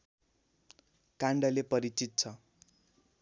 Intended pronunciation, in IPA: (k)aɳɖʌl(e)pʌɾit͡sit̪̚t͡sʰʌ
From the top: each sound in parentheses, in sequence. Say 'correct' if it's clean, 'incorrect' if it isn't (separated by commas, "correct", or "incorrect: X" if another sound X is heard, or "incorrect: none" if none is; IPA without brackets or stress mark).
correct, correct